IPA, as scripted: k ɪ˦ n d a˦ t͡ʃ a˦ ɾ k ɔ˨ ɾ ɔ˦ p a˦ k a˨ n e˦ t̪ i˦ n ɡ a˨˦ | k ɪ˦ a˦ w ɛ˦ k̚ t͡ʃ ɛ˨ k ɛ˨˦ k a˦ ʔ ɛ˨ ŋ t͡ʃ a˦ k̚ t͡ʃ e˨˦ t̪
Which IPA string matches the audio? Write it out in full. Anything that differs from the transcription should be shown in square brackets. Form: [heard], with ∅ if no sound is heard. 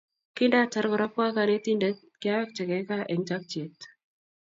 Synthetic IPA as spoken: k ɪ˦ n d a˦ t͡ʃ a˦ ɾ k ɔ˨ ɾ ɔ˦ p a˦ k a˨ n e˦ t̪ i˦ n [d] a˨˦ | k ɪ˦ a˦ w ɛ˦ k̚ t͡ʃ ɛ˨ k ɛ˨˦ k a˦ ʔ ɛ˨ ŋ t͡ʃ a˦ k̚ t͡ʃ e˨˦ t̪